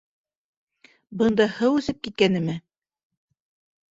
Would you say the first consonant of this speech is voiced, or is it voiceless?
voiced